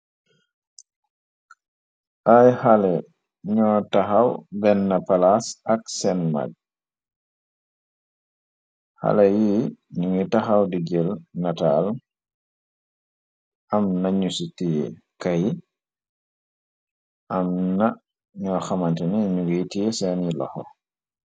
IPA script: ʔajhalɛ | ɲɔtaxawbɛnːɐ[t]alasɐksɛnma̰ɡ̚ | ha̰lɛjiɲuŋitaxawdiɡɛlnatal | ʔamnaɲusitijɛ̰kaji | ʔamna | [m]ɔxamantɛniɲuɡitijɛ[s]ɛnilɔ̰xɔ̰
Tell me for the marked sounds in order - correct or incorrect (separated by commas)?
incorrect, incorrect, correct